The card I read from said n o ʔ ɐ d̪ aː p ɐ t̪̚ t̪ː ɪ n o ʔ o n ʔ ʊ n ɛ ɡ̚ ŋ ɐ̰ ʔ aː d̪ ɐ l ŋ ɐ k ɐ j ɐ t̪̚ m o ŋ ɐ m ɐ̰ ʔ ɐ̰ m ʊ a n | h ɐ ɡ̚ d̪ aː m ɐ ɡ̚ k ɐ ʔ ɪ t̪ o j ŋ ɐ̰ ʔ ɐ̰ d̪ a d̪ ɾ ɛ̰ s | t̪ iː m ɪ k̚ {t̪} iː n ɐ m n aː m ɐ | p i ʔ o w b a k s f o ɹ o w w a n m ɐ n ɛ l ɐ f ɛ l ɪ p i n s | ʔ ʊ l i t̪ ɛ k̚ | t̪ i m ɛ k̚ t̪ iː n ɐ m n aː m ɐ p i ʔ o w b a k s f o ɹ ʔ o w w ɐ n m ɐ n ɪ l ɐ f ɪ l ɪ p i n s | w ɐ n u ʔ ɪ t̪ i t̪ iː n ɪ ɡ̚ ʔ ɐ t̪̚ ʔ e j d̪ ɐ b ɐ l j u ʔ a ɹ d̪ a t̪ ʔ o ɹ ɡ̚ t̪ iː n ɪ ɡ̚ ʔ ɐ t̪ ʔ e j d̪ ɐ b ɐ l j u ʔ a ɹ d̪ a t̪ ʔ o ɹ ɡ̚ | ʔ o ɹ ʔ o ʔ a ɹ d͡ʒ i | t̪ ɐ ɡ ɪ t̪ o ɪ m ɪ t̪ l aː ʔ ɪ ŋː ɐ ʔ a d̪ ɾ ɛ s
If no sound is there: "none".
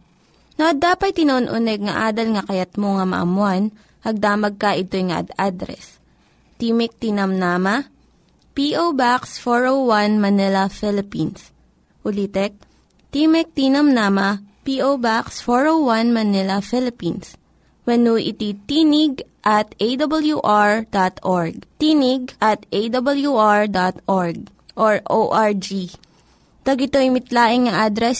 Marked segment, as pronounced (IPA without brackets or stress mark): t̪